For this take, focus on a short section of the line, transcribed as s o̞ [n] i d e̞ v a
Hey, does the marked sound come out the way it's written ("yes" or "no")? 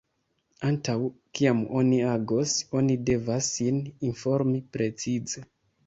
yes